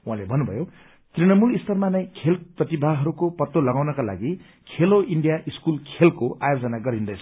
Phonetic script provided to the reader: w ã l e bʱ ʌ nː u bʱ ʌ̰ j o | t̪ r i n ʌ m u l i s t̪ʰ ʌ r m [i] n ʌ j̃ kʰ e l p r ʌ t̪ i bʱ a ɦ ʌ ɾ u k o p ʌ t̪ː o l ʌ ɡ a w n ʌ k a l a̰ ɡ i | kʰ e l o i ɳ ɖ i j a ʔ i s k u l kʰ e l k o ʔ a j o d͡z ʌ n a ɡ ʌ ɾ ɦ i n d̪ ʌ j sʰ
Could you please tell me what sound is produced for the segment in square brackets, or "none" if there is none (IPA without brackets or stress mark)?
a